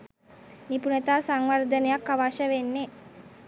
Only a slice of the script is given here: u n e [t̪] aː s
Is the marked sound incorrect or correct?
correct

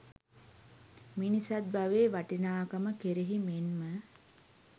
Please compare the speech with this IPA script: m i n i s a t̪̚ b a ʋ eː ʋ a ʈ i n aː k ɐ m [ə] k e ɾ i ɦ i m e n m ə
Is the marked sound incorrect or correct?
correct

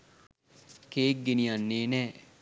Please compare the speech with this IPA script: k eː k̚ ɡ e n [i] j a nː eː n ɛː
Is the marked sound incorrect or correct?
correct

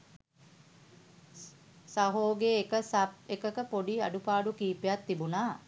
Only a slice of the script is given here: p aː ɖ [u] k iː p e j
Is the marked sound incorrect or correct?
correct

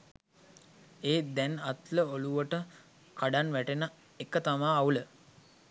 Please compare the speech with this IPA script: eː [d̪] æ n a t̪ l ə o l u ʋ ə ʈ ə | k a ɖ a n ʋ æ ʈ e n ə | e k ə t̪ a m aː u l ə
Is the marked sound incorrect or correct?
correct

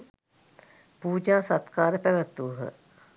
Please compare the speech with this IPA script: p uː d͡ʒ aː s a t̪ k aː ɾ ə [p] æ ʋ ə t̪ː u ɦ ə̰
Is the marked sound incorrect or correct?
correct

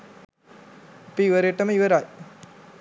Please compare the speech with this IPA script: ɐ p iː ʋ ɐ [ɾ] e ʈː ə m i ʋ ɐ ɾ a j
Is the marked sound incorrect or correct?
correct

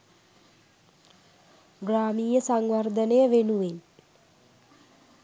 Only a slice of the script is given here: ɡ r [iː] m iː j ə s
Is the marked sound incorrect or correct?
incorrect: aː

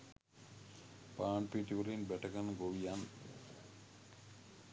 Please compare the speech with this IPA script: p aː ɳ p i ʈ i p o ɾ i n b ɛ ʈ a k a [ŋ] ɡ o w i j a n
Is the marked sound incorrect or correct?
incorrect: n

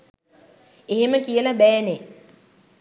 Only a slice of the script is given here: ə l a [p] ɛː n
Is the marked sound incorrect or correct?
incorrect: b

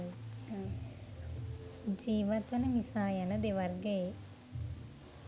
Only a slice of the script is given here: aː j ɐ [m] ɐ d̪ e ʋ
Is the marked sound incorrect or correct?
incorrect: n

